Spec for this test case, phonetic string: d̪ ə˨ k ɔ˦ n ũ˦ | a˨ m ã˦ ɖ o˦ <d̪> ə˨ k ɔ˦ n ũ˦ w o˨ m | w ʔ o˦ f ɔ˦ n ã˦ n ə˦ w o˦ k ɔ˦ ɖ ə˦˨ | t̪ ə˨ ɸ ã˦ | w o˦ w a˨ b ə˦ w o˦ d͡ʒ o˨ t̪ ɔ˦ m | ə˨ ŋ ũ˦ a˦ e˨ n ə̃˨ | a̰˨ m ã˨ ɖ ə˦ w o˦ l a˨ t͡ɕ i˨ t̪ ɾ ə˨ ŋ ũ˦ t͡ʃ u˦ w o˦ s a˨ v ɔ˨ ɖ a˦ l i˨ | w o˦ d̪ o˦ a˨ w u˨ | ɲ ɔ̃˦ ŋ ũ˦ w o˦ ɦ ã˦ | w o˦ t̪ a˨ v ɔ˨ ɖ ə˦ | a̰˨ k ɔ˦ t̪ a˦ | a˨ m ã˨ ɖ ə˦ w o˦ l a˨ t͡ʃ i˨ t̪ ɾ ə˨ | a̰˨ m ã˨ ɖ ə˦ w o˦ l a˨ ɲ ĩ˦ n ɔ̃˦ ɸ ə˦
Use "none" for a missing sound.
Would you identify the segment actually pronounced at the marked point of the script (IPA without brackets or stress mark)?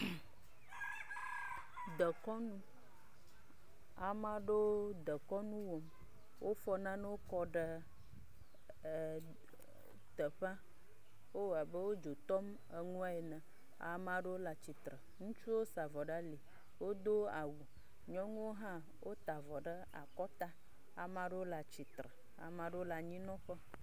d̪